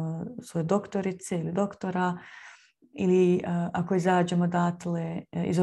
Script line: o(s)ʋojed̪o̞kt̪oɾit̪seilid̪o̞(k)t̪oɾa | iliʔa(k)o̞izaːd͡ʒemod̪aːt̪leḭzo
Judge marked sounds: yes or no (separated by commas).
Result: yes, yes, yes